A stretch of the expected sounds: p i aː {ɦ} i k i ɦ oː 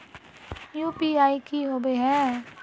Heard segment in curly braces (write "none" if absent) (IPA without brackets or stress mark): none